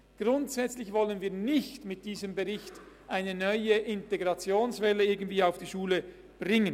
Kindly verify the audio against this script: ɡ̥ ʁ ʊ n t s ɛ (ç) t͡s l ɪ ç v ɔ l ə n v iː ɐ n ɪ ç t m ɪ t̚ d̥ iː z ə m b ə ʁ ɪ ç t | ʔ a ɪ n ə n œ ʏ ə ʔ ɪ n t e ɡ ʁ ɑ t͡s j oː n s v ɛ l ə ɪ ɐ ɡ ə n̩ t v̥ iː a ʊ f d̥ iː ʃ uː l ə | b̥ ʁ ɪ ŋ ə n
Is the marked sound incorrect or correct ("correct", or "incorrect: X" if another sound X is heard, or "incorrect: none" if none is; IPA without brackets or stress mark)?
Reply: incorrect: none